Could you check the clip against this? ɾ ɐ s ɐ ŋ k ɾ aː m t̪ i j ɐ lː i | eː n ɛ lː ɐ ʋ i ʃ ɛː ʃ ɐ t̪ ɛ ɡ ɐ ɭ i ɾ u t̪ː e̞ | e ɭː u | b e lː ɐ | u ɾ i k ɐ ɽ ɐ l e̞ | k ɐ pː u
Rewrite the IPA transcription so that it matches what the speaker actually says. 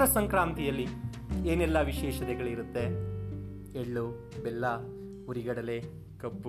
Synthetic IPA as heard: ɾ ɐ s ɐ ŋ k ɾ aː m t̪ i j ɐ lː i | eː n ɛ lː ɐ ʋ i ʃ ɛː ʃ ɐ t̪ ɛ ɡ ɐ ɭ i ɾ u t̪ː e̞ | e ɭː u | b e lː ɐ | u ɾ i ɡ ɐ ɽ ɐ l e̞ | k ɐ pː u